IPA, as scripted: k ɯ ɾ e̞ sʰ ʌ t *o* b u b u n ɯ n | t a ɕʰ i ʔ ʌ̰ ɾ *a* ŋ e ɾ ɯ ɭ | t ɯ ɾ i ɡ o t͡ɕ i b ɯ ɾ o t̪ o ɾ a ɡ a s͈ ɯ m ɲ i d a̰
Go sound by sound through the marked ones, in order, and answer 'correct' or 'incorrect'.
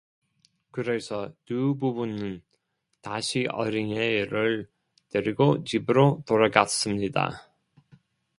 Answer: incorrect, incorrect

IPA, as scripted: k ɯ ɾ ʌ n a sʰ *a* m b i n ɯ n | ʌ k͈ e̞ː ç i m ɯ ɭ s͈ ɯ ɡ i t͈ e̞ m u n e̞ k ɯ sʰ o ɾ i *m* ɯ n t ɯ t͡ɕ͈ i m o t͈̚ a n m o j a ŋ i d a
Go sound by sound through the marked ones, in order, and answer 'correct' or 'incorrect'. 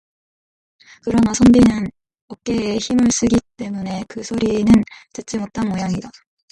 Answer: incorrect, incorrect

